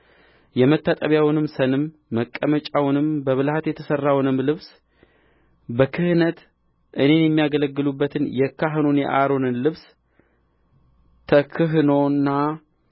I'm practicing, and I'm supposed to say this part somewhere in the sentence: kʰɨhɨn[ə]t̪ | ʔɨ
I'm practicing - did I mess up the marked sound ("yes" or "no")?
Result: no